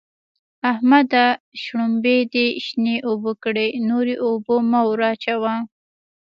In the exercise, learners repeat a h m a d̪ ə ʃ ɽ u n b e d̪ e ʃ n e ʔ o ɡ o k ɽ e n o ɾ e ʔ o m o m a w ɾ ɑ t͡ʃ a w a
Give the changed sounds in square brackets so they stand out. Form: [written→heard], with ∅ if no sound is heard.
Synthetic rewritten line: a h m a d̪ [ə→a] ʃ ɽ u [n→m] b e d̪ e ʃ n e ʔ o [ɡ→b] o k ɽ e n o ɾ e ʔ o [m→b] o m a w ɾ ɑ t͡ʃ a w a